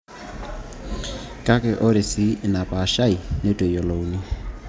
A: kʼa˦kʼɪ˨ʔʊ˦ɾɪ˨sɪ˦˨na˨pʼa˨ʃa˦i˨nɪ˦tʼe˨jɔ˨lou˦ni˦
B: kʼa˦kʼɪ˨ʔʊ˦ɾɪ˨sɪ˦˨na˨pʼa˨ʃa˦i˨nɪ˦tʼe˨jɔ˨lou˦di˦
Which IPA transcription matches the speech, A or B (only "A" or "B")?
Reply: A